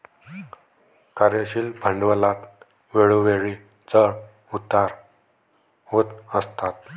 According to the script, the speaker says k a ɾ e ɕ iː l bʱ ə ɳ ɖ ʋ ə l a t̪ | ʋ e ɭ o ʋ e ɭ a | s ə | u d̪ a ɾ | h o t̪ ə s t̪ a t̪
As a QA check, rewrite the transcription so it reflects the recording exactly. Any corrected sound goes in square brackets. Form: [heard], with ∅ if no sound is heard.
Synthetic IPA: k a ɾ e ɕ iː l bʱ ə ɳ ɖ ʋ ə l a t̪ | ʋ e ɭ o ʋ e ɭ [i] | [t͡s] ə | u [t̪] a ɾ | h o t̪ ə s t̪ a t̪